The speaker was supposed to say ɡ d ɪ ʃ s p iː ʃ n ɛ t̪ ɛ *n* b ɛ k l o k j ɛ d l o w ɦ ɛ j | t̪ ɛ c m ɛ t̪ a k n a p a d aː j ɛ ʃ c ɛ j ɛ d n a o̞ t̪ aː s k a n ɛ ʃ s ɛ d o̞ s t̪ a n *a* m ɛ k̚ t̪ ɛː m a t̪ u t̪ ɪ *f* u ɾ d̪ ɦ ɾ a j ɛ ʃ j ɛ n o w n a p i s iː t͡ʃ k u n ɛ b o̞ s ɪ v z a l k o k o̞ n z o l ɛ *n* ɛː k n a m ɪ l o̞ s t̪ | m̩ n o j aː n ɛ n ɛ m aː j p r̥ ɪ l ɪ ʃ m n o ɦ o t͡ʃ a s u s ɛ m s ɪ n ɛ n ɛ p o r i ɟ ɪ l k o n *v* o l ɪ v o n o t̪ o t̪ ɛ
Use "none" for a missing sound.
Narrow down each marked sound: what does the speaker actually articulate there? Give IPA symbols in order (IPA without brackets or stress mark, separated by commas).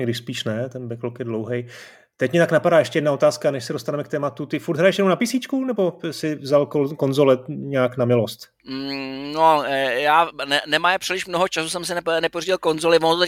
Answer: n, ɛ, f, ɲ, z